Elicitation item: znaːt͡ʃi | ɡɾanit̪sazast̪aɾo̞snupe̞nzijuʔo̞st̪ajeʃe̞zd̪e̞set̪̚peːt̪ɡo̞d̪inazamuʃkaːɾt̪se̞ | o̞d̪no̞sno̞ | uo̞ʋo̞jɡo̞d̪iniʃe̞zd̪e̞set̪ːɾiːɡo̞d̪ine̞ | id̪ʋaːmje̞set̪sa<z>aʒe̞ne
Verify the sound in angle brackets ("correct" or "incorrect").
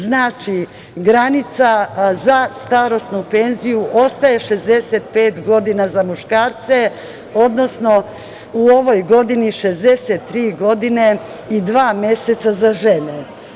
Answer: correct